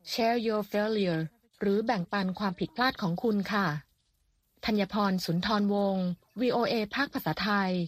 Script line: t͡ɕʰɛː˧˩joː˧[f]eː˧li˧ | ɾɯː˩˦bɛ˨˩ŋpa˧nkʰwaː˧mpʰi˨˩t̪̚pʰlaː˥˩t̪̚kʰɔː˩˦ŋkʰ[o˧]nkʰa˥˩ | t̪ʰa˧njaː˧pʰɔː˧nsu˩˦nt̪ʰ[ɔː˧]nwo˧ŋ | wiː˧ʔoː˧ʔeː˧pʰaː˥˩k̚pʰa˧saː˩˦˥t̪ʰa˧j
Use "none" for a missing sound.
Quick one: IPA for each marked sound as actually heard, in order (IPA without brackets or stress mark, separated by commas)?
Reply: f, u˧, ɔː˧